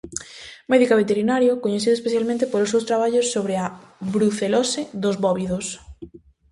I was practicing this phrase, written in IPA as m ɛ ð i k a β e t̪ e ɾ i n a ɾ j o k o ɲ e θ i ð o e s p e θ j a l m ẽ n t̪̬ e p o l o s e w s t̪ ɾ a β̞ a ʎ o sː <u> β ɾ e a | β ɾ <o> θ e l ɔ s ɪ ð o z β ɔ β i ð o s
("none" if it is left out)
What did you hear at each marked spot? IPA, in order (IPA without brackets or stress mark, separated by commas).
o, u